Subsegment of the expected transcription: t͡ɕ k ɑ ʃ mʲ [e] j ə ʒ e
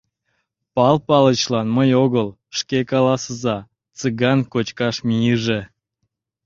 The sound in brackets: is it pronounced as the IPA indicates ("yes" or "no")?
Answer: no